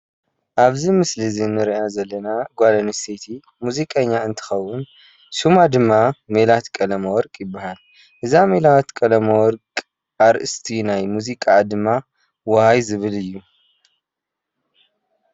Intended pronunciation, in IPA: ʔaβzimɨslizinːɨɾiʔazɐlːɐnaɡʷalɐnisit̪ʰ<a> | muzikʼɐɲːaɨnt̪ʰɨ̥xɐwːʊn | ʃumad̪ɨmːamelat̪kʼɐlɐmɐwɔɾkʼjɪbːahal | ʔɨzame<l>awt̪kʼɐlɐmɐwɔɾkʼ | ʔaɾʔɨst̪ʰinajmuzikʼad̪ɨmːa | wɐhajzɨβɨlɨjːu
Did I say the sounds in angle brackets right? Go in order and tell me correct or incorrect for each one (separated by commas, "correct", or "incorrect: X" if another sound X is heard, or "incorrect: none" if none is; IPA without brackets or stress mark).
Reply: incorrect: i, correct